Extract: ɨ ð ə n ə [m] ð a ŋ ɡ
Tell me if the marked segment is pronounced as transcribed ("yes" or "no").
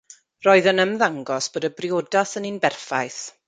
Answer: yes